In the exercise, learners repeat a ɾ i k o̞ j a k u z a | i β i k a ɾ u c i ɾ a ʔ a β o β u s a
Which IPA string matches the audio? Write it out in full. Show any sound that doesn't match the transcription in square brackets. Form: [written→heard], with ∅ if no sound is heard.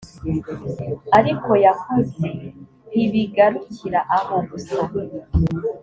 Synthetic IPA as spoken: a ɾ i k o̞ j a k u z [a→e] | i β i [k→ɡ] a ɾ u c i ɾ a ʔ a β o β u s a